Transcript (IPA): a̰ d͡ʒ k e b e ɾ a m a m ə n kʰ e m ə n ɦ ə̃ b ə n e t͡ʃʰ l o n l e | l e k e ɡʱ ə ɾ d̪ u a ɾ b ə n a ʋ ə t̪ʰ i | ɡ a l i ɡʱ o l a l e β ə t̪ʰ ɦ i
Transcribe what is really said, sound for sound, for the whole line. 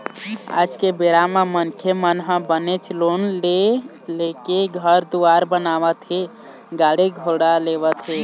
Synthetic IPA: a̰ d͡ʒ k e b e ɾ a m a m ə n kʰ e m ə n ɦ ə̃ b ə n e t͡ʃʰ l o n l e | l e k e ɡʱ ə ɾ d̪ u a ɾ b ə n a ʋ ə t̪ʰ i | ɡ a ɽ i ɡʱ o ɽ a l e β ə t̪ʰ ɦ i